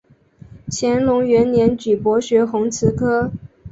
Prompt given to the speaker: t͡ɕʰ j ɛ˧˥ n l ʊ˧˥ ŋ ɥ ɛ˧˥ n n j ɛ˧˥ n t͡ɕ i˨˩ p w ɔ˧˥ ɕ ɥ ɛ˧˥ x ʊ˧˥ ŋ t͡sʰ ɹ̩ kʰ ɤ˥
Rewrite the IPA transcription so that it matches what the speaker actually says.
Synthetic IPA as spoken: t͡ɕʰ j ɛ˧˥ n l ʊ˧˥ ŋ ɥ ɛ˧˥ n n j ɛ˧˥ n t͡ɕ y˨˩ p w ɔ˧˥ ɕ ɥ ɛ˧˥ x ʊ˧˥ ŋ t͡sʰ ɹ̩ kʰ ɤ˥